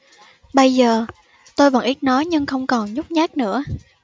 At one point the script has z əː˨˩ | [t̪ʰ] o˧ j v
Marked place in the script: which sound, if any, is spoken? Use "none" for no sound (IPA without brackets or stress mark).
t̪